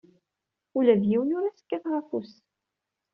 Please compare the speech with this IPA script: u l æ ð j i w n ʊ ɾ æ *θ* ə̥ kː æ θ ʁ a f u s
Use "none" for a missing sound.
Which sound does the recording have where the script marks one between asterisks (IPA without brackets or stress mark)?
s